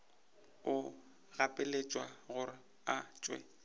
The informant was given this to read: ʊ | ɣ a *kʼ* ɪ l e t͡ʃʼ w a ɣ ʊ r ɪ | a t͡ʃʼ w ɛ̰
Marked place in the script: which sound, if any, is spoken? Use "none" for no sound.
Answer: pʼ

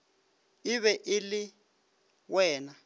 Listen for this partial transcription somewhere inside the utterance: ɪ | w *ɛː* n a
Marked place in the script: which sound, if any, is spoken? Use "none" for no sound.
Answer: ɛː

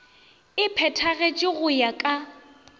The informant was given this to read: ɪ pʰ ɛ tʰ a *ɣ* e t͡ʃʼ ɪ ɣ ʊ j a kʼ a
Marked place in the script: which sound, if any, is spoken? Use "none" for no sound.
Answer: ɣ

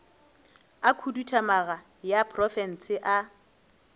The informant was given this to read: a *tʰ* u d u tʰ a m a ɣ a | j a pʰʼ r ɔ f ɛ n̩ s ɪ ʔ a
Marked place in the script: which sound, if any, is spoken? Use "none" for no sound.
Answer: kʰ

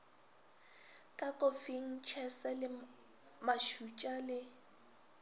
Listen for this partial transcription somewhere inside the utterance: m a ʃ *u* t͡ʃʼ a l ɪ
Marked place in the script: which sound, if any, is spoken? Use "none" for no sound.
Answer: u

